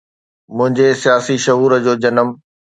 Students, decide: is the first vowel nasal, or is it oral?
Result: nasal